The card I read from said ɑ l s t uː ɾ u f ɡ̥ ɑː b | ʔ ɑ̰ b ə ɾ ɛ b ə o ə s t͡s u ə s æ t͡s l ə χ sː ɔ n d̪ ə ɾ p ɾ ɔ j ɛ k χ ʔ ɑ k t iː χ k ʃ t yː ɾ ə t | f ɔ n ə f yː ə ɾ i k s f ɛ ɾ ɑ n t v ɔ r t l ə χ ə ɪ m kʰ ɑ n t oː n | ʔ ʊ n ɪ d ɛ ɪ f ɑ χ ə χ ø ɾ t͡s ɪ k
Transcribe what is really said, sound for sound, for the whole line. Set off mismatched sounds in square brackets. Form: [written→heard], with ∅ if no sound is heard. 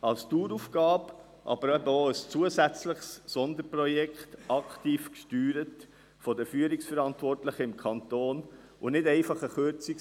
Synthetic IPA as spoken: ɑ l s t uː ɾ u f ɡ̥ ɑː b | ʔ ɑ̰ b ə ɾ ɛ b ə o ə s t͡s u ə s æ t͡s l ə χ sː ɔ n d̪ ə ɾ p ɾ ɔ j ɛ k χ [ʔ→t] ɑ k t iː [χ→f] k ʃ t yː ɾ ə t | f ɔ [n→d] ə f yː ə ɾ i k s f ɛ ɾ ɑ n t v ɔ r t l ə χ ə ɪ m kʰ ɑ n t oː n | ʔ ʊ n ɪ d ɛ ɪ f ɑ χ ə χ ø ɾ t͡s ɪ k